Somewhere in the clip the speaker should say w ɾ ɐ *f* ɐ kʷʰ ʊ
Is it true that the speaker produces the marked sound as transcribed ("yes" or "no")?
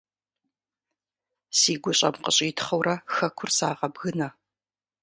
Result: no